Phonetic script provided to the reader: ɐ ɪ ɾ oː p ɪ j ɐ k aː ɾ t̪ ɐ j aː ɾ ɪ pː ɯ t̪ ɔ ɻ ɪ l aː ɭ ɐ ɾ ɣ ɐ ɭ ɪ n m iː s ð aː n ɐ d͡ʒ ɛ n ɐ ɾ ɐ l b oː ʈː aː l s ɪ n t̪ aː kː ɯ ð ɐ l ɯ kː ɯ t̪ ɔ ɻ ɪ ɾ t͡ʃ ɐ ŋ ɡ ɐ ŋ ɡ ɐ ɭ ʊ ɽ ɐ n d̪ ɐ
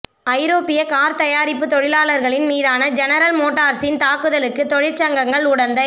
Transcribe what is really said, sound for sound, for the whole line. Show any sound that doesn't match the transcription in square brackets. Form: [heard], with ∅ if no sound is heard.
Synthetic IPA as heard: ɐ ɪ ɾ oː p ɪ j ɐ k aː ɾ t̪ ɐ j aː ɾ ɪ pː ɯ t̪ ɔ ɻ ɪ l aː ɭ ɐ ɾ ɣ ɐ ɭ ɪ n m iː [∅] ð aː n ɐ d͡ʒ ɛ n ɐ ɾ ɐ l [m] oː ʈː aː [ɾ] s ɪ n t̪ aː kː ɯ ð ɐ l ɯ kː ɯ t̪ ɔ ɻ ɪ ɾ t͡ʃ ɐ ŋ ɡ ɐ ŋ ɡ ɐ ɭ ʊ ɽ ɐ n d̪ ɐ